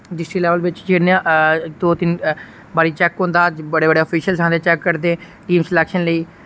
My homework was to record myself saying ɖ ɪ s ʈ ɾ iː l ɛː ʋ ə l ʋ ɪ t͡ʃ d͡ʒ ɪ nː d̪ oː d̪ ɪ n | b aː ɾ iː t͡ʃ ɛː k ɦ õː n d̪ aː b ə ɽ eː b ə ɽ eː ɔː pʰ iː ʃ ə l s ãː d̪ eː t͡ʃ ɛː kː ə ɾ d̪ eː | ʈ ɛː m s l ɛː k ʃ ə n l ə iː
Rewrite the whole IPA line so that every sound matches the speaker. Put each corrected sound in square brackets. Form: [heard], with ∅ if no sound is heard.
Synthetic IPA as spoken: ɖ ɪ s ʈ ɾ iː l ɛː ʋ ə l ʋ ɪ t͡ʃ d͡ʒ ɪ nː d̪ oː [t̪] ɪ n | b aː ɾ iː t͡ʃ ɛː k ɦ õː n d̪ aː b ə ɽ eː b ə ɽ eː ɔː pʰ iː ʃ ə l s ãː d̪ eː t͡ʃ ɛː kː ə ɾ d̪ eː | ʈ [iː] m s l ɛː k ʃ ə n l ə iː